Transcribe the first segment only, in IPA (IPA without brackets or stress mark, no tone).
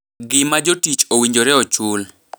ɡ